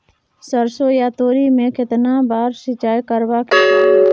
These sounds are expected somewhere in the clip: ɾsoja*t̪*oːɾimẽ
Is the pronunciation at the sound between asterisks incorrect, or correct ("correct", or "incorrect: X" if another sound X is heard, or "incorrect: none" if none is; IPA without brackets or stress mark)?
correct